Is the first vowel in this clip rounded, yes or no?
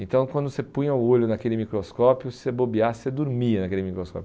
no